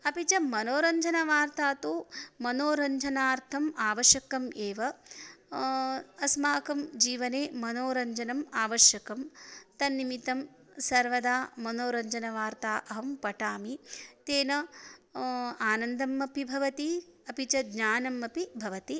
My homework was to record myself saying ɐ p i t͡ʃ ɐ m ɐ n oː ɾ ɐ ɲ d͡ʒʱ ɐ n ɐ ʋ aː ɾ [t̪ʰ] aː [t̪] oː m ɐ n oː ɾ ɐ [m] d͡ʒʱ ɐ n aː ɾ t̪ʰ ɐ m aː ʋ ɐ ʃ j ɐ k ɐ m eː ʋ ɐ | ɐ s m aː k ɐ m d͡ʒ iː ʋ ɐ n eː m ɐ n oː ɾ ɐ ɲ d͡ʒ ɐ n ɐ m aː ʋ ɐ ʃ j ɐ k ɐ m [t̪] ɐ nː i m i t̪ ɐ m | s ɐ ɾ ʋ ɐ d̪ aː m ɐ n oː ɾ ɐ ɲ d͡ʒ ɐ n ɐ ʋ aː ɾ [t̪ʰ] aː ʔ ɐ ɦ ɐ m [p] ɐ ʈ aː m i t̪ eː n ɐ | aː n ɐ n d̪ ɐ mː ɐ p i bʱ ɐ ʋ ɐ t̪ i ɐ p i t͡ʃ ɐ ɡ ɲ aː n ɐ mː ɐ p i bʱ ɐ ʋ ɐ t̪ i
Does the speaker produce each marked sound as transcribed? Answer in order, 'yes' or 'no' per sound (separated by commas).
no, yes, no, yes, no, yes